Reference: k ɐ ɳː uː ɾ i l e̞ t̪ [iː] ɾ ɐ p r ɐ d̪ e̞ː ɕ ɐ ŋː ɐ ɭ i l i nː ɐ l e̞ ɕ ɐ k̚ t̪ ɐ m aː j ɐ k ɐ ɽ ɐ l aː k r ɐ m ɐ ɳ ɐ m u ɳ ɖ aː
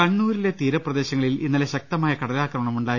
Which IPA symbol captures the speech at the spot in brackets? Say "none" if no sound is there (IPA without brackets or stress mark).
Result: iː